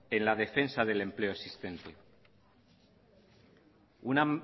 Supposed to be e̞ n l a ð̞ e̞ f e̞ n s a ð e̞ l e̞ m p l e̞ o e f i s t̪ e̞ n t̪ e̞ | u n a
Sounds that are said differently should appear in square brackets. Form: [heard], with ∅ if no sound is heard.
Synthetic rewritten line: e̞ n l a ð̞ e̞ f e̞ n s a ð e̞ l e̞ m p l e̞ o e [s] i s t̪ e̞ n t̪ e̞ | u n a

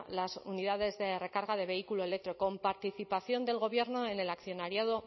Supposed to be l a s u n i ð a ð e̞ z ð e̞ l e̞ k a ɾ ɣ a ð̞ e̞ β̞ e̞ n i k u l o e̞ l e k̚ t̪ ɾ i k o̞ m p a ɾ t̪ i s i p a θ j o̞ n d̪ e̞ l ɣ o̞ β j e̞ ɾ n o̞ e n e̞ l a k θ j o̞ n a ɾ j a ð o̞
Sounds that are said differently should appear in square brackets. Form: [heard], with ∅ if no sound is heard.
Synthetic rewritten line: l a s u n i ð a ð e̞ z ð e̞ [r] e̞ k a ɾ ɣ a ð̞ e̞ β̞ e̞ [∅] i k u l o e̞ l e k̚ t̪ ɾ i k o̞ m p a ɾ t̪ i [θ] i p a θ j o̞ n d̪ e̞ l ɣ o̞ β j e̞ ɾ n o̞ e n e̞ l a k θ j o̞ n a ɾ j a ð o̞

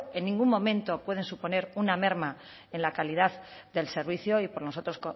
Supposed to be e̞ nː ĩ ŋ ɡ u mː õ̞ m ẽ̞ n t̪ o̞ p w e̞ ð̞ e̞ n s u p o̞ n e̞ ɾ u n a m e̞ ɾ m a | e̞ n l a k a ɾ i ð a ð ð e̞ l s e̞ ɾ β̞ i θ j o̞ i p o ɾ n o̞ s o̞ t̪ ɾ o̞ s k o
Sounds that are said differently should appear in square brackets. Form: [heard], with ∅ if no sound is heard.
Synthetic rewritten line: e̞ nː ĩ ŋ ɡ u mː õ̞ m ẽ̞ n t̪ o̞ p w e̞ ð̞ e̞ n s u p o̞ n e̞ ɾ u n a m e̞ ɾ m a | e̞ n l a k a [l] i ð a ð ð e̞ l s e̞ ɾ β̞ i θ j o̞ i p o ɾ n o̞ s o̞ t̪ ɾ o̞ s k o

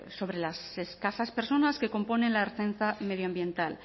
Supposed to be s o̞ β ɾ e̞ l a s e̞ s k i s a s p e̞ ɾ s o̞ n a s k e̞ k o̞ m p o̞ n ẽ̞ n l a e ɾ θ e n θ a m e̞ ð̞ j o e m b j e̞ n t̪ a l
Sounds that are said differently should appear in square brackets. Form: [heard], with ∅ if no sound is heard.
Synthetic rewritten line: s o̞ β ɾ e̞ l a s e̞ s k [a] s a s p e̞ ɾ s o̞ n a s k e̞ k o̞ m p o̞ n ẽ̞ n l a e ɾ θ e n θ a m e̞ ð̞ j o [a] m b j e̞ n t̪ a l

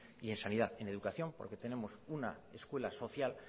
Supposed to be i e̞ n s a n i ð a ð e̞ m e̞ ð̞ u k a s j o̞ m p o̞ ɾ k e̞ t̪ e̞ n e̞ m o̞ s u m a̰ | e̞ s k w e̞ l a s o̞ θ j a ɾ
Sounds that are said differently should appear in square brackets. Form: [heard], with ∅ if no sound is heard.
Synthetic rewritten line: i e̞ n s a n i ð a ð e̞ [n] e̞ ð̞ u k a [θ] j o̞ m p o̞ ɾ k e̞ t̪ e̞ n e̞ m o̞ s u [n] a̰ | e̞ s k w e̞ l a s o̞ θ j a [l]

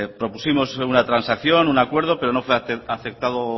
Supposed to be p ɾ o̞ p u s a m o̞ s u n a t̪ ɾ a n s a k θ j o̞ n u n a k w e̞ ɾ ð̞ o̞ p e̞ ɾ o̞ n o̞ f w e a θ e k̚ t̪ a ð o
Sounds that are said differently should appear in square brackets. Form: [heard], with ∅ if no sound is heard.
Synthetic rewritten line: p ɾ o̞ p u s [i] m o̞ s u n a t̪ ɾ a n s a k θ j o̞ n u n a k w e̞ ɾ ð̞ o̞ p e̞ ɾ o̞ n o̞ f w e a θ e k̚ t̪ a ð o

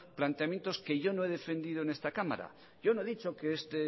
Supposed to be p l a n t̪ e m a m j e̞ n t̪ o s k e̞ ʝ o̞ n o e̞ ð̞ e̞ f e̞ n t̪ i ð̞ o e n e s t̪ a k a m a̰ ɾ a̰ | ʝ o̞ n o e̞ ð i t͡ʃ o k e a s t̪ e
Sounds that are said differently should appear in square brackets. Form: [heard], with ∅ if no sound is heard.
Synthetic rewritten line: p l a n t̪ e [∅] a m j e̞ n t̪ o s k e̞ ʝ o̞ n o e̞ ð̞ e̞ f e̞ n [d̪] i ð̞ o e n e s t̪ a k a m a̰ ɾ a̰ | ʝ o̞ n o e̞ ð i t͡ʃ o k e [e] s t̪ e

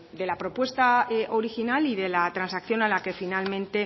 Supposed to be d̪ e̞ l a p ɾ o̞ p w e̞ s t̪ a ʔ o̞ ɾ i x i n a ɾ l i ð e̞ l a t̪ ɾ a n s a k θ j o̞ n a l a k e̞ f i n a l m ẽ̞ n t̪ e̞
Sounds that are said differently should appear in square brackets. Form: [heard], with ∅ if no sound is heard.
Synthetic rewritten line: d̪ e̞ l a p ɾ o̞ p w e̞ s t̪ a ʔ o̞ ɾ i x i n a [∅] l i ð e̞ l a t̪ ɾ a n s a k θ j o̞ n a l a k e̞ f i n a l m ẽ̞ n t̪ e̞

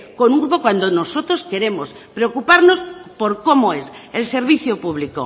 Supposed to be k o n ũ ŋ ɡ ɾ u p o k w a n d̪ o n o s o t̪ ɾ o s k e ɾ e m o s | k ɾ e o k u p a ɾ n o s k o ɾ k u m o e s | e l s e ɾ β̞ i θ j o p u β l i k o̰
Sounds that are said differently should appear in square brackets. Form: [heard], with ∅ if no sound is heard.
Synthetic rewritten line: k o n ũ ŋ ɡ ɾ u p o k w a n d̪ o n o s o t̪ ɾ o s k e ɾ e m o s | [p] ɾ e o k u p a ɾ n o s [p] o ɾ k [o] m o e s | e l s e ɾ β̞ i θ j o p u β l i k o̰

